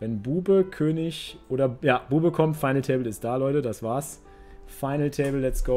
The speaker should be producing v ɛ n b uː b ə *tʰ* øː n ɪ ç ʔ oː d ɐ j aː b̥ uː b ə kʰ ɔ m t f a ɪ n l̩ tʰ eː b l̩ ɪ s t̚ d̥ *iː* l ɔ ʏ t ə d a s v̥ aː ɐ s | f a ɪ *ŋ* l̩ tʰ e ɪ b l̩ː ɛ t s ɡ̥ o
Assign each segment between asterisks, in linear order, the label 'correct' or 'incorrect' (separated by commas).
incorrect, incorrect, incorrect